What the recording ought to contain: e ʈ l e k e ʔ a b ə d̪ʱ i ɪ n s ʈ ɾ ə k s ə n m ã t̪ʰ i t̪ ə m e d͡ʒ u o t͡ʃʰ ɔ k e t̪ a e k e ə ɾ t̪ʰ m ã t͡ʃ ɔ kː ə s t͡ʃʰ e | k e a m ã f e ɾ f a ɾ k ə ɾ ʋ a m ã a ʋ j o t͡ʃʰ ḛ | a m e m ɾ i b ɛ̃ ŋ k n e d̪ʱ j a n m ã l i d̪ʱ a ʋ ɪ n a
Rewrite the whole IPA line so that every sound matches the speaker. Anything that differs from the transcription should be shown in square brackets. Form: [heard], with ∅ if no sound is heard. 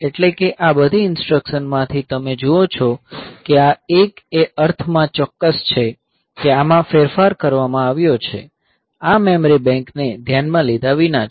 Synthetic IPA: e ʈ l e k e ʔ a b ə d̪ʱ i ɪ n s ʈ ɾ ə k [ʃ] ə n m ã t̪ʰ i t̪ ə m e d͡ʒ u o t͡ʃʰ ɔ k e [∅] a e k e ə ɾ t̪ʰ m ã t͡ʃ ɔ kː ə s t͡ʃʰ e | k e a m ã f e ɾ f a ɾ k ə ɾ ʋ a m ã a ʋ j o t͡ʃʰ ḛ | a m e m ɾ i b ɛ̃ ŋ k n e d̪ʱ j a n m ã l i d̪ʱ a ʋ [i] n a